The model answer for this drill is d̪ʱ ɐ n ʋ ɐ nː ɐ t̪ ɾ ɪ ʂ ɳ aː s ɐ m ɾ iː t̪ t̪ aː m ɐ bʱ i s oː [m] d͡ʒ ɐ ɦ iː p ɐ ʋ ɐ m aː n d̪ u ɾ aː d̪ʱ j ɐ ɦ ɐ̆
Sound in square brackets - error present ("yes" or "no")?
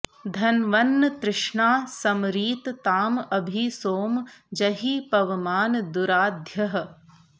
no